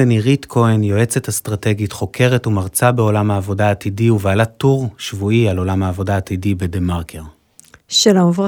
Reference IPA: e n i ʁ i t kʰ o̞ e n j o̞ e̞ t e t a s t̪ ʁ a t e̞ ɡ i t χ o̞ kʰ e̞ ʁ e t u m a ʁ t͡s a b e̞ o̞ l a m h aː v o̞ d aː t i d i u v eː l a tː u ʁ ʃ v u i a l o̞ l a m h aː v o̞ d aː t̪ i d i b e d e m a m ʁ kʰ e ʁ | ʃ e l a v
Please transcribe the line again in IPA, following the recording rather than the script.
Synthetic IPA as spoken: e n i ʁ i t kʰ o̞ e n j o̞ e̞ t͡s e t a s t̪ ʁ a t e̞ ɡ i t χ o̞ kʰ e̞ ʁ e t u m a ʁ t͡s a b e̞ o̞ l a m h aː v o̞ d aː t i d i u v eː l a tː u ʁ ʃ v u i a l o̞ l a m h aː v o̞ d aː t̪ i d i b e d e m a ʁ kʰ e ʁ | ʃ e l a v